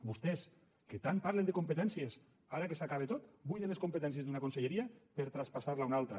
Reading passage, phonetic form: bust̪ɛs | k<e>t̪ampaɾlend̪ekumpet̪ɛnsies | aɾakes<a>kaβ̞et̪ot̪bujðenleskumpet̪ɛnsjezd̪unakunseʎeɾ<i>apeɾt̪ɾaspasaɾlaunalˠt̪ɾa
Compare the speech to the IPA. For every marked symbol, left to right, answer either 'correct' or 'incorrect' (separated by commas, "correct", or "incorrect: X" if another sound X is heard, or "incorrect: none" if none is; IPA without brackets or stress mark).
correct, correct, correct